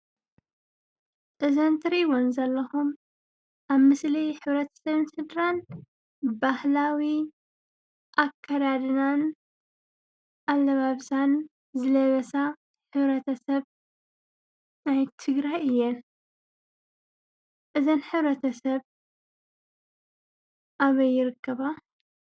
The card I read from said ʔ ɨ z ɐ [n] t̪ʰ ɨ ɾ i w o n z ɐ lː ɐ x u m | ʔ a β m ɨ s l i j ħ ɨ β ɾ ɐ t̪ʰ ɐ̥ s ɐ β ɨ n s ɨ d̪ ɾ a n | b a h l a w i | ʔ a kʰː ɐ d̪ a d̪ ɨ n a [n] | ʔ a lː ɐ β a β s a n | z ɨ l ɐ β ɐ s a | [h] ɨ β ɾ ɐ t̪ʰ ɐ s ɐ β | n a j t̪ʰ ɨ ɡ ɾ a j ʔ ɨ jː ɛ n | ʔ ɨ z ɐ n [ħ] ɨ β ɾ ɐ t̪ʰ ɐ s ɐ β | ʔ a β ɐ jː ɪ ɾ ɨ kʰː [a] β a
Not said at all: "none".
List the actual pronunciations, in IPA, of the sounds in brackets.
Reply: n, n, ħ, ħ, ɐ

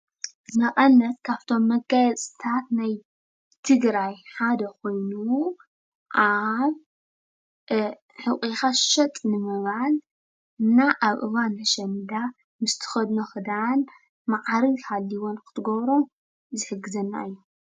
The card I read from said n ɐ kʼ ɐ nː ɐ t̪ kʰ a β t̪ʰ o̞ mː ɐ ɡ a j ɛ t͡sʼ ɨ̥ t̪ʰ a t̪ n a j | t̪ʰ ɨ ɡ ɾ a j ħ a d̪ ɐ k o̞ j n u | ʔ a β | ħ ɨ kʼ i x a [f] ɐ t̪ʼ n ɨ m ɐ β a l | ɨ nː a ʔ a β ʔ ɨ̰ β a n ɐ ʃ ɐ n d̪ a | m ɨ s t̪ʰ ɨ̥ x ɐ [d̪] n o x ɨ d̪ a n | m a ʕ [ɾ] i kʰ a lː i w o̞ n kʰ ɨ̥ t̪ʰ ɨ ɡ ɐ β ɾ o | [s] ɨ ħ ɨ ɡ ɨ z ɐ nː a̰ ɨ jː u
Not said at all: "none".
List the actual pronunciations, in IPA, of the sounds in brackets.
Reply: ʃ, d̪, ɾ, z

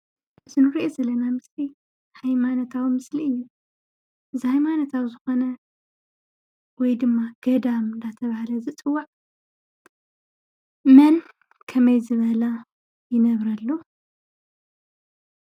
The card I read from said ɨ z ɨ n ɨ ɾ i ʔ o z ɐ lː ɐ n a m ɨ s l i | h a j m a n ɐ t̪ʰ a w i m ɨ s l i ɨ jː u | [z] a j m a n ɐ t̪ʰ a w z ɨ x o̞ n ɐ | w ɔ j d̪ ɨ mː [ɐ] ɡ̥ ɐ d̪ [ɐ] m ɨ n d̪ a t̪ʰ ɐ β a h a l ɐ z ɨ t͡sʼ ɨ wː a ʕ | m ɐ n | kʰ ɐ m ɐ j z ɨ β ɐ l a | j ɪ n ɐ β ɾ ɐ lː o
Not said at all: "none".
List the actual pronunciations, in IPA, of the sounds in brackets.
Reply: z, a, a

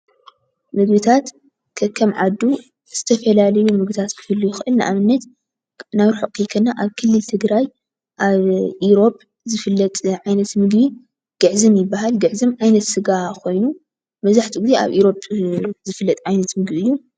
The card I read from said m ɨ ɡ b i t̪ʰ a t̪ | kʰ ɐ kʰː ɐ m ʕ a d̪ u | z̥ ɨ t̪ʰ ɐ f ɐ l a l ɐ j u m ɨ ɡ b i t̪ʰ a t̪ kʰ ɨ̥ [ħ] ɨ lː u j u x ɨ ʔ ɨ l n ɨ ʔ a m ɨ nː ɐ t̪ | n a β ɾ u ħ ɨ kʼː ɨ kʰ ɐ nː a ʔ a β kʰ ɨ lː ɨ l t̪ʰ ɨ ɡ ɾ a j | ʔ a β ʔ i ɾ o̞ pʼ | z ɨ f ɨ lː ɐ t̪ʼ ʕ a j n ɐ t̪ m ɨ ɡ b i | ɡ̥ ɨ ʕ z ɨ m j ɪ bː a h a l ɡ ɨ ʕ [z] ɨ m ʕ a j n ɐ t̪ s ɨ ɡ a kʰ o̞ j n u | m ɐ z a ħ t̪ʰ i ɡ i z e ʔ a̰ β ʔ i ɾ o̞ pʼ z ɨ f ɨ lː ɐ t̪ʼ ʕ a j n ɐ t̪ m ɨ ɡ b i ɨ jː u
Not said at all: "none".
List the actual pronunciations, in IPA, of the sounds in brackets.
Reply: f, z

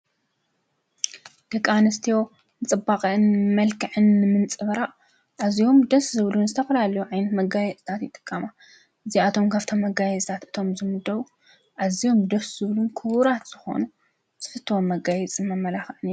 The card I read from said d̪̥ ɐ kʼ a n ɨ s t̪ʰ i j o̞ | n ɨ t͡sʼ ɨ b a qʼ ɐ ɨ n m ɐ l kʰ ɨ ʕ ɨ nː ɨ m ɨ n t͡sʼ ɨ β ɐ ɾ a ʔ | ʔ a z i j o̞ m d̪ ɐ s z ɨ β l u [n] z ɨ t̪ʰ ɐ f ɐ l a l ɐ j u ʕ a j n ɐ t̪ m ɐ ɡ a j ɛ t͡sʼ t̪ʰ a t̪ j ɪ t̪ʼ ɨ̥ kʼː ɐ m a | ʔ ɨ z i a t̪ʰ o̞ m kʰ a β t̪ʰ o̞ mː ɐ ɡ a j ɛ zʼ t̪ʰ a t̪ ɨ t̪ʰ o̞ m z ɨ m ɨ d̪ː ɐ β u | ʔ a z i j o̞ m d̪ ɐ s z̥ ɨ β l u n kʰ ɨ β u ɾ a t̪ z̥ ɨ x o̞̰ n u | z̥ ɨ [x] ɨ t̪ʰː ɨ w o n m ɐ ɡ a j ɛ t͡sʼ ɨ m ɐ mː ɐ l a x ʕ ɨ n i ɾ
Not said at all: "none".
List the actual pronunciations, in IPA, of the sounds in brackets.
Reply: n, f

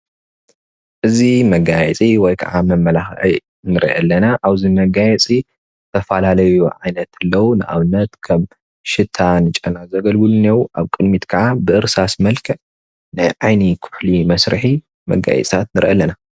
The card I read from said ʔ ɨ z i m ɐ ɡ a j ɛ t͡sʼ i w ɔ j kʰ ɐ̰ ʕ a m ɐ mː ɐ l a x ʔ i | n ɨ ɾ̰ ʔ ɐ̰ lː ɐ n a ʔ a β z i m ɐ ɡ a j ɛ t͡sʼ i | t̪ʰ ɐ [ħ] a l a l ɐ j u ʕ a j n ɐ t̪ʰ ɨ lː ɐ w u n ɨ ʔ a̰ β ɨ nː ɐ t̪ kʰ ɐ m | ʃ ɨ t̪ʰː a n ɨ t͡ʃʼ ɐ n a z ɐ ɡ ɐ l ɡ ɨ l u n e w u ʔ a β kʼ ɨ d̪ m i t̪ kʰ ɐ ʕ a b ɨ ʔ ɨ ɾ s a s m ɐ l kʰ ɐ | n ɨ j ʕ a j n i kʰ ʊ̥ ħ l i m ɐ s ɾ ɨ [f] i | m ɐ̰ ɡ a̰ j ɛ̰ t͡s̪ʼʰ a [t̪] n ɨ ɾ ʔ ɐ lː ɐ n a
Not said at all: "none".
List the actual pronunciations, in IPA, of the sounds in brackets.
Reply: f, ħ, t̪

